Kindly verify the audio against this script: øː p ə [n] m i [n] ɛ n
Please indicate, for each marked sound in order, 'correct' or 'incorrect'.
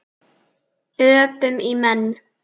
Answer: incorrect, incorrect

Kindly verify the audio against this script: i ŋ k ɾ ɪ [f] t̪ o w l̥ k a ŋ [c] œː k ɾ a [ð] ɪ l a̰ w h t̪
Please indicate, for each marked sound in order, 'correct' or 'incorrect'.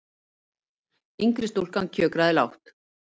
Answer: incorrect, incorrect, correct

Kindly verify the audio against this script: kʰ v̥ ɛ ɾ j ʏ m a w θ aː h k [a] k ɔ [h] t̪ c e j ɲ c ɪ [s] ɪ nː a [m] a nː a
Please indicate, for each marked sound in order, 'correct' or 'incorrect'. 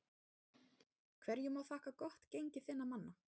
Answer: correct, correct, incorrect, correct

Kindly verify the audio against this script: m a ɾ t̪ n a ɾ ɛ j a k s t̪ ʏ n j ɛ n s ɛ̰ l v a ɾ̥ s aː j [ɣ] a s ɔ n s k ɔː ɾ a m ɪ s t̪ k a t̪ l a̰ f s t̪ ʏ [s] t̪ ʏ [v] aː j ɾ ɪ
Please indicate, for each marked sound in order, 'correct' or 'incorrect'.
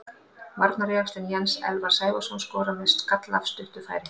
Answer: incorrect, incorrect, incorrect

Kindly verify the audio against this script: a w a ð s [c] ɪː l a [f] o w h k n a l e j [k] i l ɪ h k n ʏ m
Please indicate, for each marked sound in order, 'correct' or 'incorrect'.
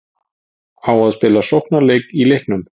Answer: incorrect, incorrect, correct

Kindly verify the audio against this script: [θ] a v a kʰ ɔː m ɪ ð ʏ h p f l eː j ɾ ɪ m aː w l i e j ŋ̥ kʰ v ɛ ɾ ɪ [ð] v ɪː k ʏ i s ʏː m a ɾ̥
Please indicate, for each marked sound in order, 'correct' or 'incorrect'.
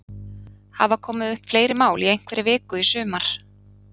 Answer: incorrect, incorrect

